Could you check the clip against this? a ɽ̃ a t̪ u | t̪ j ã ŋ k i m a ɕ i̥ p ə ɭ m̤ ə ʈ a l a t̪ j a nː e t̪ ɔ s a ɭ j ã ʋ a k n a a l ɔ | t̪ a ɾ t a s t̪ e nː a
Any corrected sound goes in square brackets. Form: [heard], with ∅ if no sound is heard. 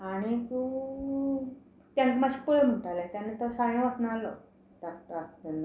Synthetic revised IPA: a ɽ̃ [i] t̪ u | t̪ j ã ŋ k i m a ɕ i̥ p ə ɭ m̤ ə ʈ a l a t̪ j a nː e t̪ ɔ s a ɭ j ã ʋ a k n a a l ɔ | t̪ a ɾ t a s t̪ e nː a